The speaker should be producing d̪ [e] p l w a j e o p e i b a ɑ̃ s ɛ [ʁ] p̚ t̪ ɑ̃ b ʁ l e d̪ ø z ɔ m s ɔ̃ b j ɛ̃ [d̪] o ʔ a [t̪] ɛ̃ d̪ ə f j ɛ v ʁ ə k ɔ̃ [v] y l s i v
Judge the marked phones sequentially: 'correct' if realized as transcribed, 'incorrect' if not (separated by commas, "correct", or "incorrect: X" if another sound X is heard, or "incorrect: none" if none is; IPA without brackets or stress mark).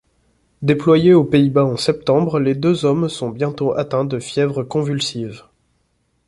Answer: correct, incorrect: none, incorrect: t̪, correct, correct